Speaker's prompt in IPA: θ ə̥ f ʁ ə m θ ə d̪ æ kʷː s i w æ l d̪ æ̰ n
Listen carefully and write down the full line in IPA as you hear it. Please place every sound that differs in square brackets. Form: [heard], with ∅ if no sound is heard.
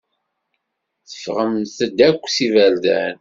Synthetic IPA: θ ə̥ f ʁ ə m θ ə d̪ æ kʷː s i [v] æ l d̪ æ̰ n